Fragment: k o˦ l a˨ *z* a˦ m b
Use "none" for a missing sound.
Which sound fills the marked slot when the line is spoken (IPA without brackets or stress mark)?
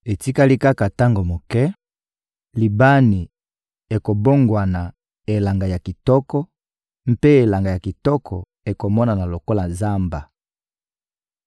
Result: z